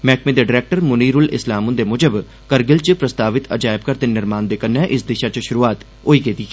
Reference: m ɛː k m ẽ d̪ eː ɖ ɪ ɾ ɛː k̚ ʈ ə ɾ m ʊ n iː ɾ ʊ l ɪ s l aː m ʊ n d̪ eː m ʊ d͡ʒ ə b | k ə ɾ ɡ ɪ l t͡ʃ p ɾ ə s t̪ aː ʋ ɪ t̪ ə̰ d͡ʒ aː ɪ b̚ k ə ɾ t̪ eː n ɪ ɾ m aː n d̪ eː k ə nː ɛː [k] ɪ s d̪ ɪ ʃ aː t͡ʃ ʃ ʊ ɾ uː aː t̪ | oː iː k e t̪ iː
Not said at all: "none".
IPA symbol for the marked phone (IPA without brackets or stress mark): ʔ